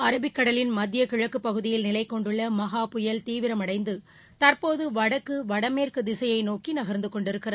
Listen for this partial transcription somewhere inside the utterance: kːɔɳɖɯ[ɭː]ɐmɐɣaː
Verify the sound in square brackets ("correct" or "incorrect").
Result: correct